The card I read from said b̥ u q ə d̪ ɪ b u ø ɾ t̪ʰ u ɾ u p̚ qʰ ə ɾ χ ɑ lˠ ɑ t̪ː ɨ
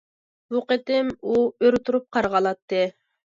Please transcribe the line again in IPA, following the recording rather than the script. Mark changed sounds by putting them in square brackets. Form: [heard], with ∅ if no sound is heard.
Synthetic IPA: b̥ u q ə [t̪] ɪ [m] u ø ɾ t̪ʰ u ɾ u p̚ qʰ [ɑ] ɾ [ʁ] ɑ lˠ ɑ t̪ː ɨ